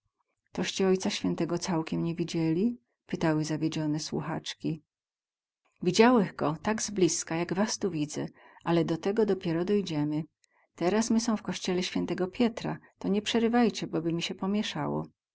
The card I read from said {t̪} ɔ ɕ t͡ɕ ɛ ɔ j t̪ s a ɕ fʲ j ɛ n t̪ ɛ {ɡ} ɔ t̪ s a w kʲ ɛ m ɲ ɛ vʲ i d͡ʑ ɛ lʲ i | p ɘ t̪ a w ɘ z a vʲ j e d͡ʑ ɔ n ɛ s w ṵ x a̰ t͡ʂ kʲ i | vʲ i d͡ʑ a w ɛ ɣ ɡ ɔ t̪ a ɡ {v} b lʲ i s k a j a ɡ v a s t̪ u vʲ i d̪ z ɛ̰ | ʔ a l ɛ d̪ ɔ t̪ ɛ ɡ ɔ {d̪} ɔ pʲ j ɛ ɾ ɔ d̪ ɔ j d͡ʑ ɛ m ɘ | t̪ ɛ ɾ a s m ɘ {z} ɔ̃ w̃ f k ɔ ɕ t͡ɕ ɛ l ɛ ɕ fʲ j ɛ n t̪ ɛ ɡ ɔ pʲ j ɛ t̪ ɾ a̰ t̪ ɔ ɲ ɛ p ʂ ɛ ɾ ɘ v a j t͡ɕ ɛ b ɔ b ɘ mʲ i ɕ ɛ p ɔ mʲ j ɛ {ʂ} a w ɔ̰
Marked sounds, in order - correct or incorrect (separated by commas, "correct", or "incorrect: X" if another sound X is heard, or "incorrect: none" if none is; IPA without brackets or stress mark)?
correct, correct, incorrect: z, correct, incorrect: s, correct